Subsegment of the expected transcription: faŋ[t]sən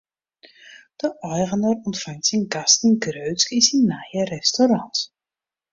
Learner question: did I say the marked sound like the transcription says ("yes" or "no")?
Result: yes